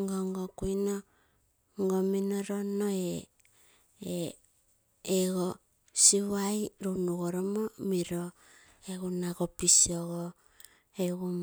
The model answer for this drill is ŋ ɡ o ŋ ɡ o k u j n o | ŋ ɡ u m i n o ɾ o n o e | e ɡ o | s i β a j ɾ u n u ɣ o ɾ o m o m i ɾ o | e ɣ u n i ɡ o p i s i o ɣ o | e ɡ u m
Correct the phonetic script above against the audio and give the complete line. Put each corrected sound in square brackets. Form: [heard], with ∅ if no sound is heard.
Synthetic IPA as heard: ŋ ɡ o ŋ ɡ o k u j n o | ŋ ɡ [o] m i n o ɾ o n o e | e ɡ o | s i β a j ɾ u n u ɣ o ɾ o m o m i ɾ o | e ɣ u n [a] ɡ o p i s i o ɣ o | e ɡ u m